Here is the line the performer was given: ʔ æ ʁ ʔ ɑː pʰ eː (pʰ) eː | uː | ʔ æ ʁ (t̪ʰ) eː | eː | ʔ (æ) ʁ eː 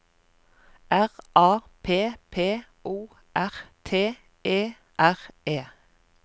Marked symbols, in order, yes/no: yes, yes, yes

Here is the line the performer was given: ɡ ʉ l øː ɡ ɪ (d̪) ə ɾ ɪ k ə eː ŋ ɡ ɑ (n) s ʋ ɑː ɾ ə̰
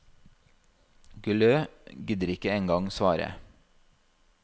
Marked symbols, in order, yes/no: yes, no

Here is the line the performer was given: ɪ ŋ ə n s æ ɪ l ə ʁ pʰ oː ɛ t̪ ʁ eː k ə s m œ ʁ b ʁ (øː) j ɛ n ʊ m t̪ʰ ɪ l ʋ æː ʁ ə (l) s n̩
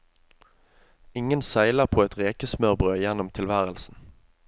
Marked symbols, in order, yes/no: yes, yes

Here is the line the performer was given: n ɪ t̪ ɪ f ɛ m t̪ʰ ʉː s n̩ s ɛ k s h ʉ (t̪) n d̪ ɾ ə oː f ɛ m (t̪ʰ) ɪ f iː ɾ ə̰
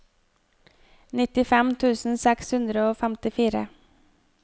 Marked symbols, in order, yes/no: no, no

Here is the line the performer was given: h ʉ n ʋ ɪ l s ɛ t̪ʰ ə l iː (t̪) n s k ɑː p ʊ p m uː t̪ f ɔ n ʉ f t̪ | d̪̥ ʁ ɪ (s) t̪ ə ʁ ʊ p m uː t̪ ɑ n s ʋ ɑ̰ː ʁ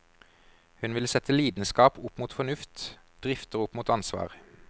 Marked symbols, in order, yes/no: no, no

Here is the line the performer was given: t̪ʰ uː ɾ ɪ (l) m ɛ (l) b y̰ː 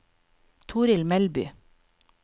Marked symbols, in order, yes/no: yes, yes

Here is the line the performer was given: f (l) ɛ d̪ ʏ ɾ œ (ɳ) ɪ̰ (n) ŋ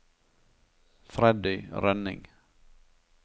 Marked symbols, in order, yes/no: no, no, no

